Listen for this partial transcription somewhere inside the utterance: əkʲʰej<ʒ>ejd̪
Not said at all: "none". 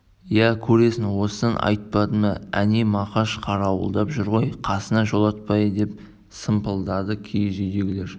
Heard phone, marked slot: ʒ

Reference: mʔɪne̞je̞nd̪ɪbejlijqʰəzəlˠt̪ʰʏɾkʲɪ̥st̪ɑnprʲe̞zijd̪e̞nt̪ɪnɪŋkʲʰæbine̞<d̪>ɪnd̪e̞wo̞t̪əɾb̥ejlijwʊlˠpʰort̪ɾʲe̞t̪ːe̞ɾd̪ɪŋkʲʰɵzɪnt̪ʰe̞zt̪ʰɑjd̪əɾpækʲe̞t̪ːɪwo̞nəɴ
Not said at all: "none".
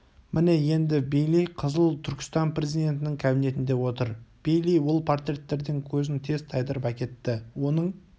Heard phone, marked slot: t̪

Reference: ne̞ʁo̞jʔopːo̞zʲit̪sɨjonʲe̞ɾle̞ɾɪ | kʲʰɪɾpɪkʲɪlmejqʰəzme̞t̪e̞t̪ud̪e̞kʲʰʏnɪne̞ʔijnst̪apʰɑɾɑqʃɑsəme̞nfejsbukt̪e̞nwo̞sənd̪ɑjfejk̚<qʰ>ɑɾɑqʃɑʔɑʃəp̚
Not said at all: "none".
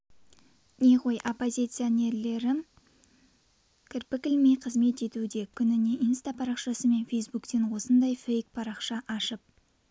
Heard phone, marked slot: pʰ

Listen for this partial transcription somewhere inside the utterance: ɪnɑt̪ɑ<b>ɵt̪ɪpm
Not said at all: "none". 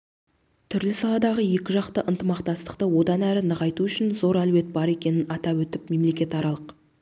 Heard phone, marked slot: w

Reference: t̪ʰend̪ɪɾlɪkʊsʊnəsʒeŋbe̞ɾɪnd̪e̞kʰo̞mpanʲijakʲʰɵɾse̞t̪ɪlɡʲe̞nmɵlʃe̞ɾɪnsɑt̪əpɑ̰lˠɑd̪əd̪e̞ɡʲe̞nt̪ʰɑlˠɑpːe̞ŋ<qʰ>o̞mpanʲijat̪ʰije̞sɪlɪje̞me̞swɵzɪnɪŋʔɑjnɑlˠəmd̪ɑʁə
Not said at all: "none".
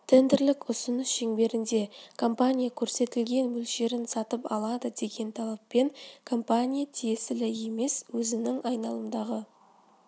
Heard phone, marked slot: kʰ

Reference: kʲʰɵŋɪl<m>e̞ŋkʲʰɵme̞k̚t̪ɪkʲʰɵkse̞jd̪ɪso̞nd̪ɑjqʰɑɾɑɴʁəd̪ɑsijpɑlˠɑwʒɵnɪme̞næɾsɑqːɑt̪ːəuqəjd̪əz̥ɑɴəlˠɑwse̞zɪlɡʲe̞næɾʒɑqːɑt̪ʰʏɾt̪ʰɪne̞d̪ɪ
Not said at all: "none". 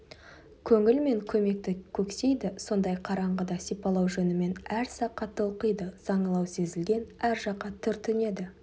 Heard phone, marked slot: m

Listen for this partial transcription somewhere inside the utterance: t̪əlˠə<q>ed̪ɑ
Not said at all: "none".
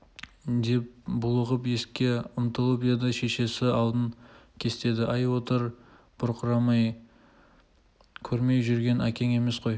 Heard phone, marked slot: p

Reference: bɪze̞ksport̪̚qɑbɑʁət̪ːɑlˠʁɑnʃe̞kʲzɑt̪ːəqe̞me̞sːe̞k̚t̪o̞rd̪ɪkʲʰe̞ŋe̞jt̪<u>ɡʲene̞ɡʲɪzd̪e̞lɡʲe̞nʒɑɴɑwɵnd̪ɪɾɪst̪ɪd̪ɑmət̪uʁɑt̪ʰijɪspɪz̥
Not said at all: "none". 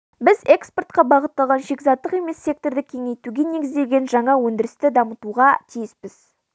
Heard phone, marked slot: u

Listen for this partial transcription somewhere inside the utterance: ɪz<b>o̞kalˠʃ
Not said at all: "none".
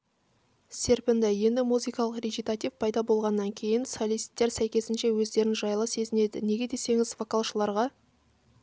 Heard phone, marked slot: v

